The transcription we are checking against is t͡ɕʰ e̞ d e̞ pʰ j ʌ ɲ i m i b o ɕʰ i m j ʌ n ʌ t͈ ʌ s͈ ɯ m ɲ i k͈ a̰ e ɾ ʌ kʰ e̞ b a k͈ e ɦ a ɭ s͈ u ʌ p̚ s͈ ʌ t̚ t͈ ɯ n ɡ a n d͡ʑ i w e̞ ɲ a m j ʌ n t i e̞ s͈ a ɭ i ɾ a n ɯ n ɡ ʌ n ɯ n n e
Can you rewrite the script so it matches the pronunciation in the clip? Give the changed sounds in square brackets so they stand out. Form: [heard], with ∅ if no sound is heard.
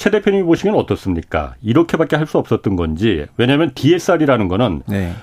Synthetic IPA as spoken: t͡ɕʰ e̞ d e̞ pʰ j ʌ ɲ i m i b o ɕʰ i m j ʌ n ʌ t͈ ʌ s͈ ɯ m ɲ i k͈ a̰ [i] ɾ ʌ kʰ e̞ b a k͈ e ɦ a ɭ s͈ u ʌ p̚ s͈ ʌ t̚ t͈ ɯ n ɡ [ʌ] n d͡ʑ i w e̞ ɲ a m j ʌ n t i e̞ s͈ a [ɾ] i ɾ a n ɯ n ɡ ʌ n ɯ n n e